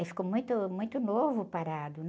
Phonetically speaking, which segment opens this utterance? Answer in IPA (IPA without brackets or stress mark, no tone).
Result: f